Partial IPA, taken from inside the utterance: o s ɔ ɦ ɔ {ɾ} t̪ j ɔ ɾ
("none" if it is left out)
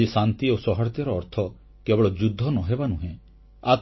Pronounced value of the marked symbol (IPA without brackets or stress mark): ɾ